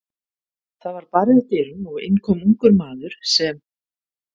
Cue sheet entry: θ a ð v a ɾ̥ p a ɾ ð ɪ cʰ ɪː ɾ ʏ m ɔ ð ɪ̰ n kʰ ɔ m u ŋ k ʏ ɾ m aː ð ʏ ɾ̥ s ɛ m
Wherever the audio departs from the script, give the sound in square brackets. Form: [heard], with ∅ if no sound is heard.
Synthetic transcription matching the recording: θ a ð v a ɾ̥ p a ɾ ð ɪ [c] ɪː ɾ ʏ m ɔ [ɣ] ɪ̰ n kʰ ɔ m u ŋ k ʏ ɾ m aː ð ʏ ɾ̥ s ɛ m